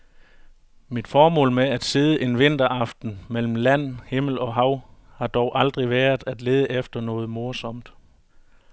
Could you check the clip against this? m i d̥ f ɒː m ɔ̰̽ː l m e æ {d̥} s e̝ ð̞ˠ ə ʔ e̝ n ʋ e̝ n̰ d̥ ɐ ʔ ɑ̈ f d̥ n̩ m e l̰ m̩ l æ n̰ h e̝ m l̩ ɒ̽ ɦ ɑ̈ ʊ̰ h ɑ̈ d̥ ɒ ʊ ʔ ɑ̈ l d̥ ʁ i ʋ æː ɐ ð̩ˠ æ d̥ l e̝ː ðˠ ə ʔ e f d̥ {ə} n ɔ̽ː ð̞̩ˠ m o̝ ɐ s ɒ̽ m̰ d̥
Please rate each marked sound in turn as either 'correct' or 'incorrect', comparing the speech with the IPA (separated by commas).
correct, incorrect